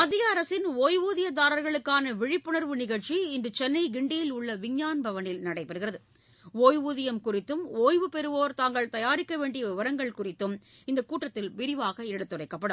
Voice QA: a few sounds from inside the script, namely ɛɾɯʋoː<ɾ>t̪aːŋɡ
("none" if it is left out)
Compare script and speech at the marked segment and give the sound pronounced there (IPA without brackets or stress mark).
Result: ɾ